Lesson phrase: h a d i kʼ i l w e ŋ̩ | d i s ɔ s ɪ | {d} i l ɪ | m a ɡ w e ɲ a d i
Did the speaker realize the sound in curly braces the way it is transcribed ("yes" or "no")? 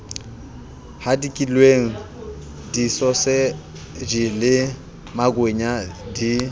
no